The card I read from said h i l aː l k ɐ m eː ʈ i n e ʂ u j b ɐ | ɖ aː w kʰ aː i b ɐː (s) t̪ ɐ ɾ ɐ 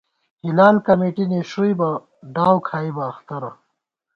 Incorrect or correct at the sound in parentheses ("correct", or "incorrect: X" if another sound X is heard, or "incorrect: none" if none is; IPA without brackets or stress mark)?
incorrect: x